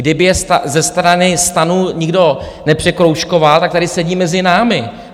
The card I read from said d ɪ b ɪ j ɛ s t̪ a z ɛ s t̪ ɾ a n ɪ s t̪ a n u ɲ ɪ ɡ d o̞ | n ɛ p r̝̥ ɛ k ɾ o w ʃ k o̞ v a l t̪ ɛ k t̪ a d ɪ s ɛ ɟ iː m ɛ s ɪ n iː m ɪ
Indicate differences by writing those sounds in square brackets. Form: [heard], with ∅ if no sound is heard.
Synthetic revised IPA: d ɪ b ɪ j ɛ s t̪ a z ɛ s t̪ ɾ a n ɪ s t̪ a n u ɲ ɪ ɡ d o̞ | n ɛ p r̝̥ ɛ k ɾ o w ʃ k o̞ v a l t̪ [a] k t̪ a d ɪ s ɛ ɟ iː m ɛ [z] ɪ n [aː] m ɪ